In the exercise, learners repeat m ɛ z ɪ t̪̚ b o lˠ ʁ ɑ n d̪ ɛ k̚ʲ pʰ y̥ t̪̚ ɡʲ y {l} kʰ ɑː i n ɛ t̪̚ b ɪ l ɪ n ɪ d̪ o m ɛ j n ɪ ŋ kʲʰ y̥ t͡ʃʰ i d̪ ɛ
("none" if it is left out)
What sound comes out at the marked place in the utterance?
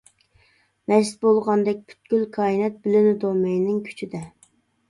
l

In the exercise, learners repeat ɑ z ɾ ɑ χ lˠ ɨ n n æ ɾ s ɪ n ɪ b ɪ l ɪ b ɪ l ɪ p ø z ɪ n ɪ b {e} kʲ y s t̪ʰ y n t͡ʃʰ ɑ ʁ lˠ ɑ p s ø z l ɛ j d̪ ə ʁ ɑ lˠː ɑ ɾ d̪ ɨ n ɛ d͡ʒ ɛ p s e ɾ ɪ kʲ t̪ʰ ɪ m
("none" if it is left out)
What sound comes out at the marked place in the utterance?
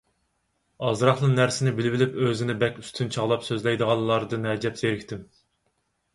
ɛ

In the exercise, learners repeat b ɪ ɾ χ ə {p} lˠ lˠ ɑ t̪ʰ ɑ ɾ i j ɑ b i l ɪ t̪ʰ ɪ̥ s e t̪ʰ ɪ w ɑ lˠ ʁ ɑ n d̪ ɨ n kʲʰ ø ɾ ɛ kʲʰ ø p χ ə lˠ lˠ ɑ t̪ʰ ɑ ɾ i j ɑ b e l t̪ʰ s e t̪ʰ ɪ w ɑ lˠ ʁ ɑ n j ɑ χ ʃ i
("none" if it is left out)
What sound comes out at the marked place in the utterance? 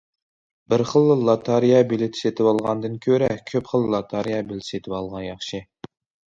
none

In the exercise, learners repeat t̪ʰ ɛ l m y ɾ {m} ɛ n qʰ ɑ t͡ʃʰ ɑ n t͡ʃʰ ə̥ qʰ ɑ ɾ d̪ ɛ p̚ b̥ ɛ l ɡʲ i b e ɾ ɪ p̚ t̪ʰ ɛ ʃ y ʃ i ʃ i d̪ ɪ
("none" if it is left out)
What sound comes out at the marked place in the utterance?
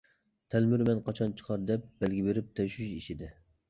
m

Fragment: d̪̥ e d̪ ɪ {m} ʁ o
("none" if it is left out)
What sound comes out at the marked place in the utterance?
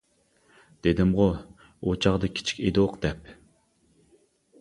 m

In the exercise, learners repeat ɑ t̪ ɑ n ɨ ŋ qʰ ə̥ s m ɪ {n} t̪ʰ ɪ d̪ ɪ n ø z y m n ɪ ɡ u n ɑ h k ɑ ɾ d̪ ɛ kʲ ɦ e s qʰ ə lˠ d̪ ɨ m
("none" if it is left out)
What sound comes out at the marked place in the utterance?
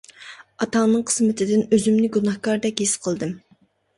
none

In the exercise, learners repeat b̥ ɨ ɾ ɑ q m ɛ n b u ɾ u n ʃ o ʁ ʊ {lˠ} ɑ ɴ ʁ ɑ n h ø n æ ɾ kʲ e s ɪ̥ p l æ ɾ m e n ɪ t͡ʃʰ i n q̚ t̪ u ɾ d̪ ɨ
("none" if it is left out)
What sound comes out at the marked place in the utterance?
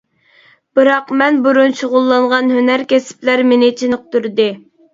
lˠː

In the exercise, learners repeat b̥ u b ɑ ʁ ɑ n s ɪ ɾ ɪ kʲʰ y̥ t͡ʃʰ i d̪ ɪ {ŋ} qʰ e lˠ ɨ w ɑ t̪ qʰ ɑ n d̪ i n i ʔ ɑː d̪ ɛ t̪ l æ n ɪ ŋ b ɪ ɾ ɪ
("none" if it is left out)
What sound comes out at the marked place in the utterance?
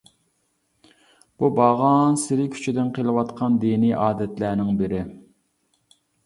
n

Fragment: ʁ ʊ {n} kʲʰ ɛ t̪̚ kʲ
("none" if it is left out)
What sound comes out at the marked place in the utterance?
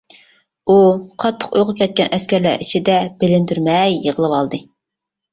none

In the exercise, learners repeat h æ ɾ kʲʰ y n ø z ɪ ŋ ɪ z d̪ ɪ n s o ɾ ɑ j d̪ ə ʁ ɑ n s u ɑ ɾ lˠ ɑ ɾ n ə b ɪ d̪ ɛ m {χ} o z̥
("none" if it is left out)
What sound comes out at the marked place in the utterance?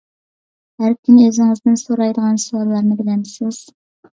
s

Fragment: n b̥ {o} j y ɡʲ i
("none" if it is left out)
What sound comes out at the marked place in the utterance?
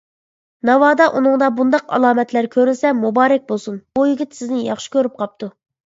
u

